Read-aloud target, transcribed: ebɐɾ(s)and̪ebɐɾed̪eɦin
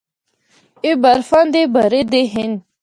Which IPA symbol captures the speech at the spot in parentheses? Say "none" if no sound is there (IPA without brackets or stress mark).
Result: f